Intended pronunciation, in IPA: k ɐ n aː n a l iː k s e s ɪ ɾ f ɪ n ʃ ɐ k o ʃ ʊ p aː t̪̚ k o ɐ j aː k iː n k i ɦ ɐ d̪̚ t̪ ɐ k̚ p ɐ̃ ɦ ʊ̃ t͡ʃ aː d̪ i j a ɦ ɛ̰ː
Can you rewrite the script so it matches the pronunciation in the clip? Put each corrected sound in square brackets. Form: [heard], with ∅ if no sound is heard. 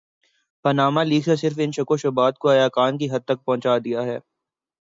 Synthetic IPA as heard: [p] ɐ n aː [m] a l iː k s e s ɪ ɾ f ɪ n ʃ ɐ k o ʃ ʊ [b] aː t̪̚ k o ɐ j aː k [aː] n k i ɦ ɐ d̪̚ t̪ ɐ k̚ p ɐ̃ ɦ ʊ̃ t͡ʃ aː d̪ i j a ɦ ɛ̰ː